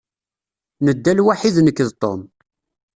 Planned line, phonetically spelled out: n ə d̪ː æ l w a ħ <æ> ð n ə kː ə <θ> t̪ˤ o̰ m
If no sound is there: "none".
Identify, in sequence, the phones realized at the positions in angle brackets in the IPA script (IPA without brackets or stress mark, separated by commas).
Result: i, ð